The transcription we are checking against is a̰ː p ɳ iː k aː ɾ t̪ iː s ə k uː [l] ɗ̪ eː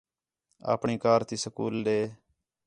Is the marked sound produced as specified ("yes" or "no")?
yes